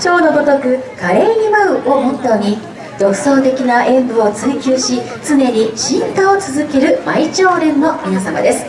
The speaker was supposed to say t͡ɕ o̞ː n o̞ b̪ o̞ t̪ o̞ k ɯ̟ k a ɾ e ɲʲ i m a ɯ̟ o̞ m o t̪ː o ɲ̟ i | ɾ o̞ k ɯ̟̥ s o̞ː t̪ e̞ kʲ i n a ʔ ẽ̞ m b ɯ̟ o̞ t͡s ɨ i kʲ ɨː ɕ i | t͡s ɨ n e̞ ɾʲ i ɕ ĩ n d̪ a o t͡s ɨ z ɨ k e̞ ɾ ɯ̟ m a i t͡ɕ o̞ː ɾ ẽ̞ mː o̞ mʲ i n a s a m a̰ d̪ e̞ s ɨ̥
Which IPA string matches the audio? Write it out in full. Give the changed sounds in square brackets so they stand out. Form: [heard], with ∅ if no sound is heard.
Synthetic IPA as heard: t͡ɕ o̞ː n o̞ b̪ o̞ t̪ o̞ k ɯ̟ k a ɾ e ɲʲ i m a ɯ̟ o̞ m o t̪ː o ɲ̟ i | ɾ o̞ k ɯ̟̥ s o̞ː t̪ e̞ kʲ i n a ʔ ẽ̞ m b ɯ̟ o̞ t͡s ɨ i kʲ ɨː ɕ i | t͡s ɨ n e̞ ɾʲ i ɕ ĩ n [t̪] a o t͡s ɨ z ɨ k e̞ ɾ ɯ̟ m a i t͡ɕ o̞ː ɾ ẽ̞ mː o̞ mʲ i n a s a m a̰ d̪ e̞ s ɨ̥